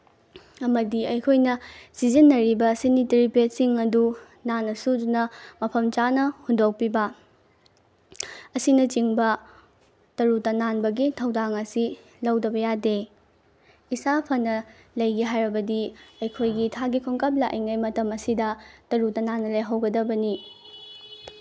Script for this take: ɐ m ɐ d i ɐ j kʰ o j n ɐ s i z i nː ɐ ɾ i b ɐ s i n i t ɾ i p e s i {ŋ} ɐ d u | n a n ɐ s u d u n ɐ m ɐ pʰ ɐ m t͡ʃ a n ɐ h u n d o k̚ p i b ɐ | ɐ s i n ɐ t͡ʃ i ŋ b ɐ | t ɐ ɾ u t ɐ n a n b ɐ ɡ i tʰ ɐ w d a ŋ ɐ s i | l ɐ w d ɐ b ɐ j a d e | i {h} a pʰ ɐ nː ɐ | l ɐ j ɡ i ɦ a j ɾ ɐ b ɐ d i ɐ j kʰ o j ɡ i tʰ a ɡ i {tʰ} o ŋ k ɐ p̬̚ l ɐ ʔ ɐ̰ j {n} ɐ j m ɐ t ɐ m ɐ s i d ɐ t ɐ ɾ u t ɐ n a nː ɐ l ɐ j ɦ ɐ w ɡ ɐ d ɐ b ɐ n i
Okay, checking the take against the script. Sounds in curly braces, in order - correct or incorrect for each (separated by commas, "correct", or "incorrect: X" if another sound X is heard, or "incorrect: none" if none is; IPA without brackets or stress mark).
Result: correct, incorrect: s, incorrect: kʰ, incorrect: ŋ